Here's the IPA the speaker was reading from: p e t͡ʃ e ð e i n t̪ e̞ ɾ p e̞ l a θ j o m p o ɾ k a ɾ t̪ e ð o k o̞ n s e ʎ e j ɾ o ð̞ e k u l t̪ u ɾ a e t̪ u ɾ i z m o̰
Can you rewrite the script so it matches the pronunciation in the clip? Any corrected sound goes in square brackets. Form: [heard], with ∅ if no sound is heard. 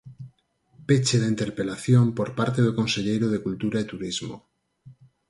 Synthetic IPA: p e t͡ʃ e ð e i n t̪ e̞ ɾ p e̞ l a θ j o m p o ɾ [p] a ɾ t̪ e ð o k o̞ n s e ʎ e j ɾ o ð̞ e k u l t̪ u ɾ a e t̪ u ɾ i z m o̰